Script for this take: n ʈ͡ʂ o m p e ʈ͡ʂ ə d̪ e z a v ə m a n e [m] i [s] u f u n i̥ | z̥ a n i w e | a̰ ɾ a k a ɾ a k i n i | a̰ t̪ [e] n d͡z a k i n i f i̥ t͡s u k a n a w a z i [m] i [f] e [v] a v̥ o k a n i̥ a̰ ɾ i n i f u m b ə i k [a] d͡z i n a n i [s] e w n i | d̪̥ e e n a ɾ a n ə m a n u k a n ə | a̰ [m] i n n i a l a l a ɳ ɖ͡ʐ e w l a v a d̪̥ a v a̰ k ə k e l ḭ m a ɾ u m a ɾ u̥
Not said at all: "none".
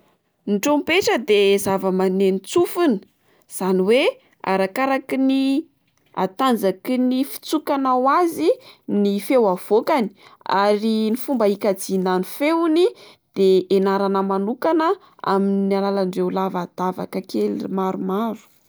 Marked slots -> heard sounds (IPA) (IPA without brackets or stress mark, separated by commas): n, t͡s, a, n, f, w, a, f, m